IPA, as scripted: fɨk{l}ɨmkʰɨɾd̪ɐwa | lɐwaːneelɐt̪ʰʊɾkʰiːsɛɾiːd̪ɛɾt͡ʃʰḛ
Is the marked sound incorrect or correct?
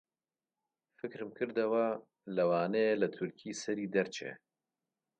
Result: incorrect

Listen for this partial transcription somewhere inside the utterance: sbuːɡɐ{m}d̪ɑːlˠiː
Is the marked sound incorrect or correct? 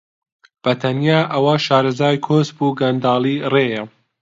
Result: incorrect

